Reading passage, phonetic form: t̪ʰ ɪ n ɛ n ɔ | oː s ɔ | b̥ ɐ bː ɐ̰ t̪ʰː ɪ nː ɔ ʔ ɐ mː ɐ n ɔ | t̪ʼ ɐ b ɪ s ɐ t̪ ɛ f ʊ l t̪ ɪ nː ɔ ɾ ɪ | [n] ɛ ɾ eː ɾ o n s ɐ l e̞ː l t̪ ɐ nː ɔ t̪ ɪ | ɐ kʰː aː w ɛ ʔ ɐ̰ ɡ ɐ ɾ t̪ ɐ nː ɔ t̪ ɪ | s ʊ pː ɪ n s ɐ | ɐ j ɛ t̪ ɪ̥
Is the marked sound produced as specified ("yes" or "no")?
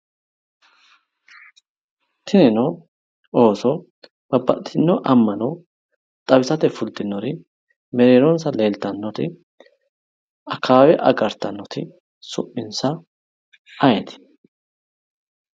no